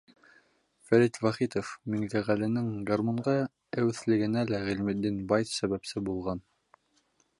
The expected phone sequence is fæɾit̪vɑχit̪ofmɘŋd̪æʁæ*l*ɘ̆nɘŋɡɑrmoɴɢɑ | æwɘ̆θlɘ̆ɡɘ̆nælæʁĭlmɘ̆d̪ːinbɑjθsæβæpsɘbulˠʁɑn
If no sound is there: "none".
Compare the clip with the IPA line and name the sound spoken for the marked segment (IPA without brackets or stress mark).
l